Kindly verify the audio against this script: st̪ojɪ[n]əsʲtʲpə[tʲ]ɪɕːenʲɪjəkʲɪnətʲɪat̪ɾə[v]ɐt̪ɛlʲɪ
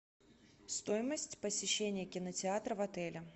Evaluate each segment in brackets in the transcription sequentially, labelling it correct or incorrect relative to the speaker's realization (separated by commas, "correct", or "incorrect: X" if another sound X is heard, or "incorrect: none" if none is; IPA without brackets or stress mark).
incorrect: m, incorrect: sʲ, correct